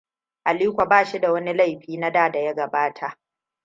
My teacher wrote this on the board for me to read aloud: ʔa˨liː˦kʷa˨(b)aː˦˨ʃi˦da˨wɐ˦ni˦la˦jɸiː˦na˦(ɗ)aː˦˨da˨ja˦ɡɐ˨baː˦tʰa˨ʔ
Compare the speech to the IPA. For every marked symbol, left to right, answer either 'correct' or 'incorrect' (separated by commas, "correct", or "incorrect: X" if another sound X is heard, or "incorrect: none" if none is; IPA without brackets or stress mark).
correct, incorrect: d